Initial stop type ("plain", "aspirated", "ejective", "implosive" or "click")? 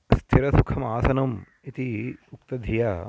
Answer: aspirated